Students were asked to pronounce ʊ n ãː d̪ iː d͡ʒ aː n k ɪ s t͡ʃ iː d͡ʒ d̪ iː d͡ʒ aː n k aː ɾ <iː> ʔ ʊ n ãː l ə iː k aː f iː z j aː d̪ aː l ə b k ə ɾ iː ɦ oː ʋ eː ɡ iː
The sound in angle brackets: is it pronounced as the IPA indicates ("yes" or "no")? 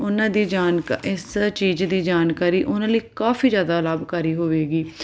yes